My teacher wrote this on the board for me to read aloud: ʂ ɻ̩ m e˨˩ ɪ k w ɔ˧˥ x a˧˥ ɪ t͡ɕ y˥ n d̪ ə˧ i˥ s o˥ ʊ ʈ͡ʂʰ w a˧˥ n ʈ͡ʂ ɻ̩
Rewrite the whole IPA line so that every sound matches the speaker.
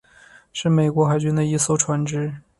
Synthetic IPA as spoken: ʂ ɻ̩ m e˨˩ ɪ k w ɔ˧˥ x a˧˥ ɪ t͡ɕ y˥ n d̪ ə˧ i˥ s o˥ ʊ ʈ͡ʂʰ w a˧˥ n ʈ͡ʂ ɻ̩